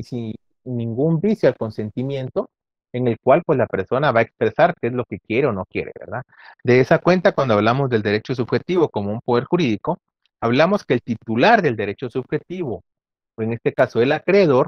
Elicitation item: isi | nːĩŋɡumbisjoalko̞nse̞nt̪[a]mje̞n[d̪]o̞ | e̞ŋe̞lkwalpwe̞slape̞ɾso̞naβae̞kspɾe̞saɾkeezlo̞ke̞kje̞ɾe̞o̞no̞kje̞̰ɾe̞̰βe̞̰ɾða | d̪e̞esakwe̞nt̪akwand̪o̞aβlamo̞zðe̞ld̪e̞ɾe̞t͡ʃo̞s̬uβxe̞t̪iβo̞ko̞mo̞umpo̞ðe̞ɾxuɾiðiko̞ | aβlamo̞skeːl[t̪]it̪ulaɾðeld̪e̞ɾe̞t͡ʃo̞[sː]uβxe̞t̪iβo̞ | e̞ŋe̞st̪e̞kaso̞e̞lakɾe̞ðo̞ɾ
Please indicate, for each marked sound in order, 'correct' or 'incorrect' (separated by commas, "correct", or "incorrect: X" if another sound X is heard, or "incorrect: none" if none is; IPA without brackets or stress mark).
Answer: incorrect: i, incorrect: t̪, correct, incorrect: s